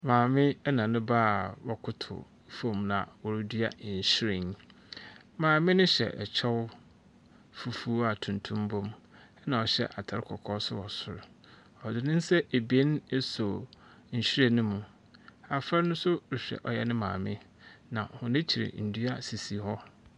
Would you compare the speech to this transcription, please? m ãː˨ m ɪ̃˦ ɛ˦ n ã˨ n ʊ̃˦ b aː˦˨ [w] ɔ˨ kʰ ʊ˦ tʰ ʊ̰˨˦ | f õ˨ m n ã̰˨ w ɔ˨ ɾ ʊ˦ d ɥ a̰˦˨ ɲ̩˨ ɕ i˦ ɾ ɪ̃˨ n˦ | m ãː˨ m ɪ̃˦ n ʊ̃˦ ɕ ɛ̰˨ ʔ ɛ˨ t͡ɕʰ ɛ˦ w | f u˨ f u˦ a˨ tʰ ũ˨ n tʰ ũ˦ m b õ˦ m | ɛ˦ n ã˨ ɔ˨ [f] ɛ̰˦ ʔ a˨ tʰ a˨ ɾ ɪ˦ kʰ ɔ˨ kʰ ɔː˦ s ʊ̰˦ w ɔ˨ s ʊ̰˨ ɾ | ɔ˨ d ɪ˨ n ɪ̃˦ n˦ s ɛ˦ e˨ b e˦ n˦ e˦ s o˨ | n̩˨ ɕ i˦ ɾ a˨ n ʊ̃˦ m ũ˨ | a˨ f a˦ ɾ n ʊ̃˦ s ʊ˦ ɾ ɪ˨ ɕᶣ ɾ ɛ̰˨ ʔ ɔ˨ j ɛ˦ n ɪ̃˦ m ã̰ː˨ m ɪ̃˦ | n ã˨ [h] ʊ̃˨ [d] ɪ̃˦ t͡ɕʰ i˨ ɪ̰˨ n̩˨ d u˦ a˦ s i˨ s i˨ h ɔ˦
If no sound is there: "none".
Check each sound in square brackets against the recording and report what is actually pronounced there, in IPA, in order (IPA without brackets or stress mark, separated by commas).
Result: w, ɕ, h, n